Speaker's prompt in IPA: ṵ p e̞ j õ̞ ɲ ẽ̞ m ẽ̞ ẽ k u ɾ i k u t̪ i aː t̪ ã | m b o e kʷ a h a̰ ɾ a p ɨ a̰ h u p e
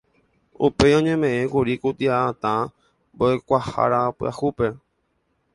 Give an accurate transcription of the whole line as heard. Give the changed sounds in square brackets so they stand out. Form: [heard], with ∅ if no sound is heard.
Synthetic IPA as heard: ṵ p e̞ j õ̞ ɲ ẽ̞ m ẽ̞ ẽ k u ɾ i k u t̪ i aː t̪ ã | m b o e kʷ a h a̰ ɾ a p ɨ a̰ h u p e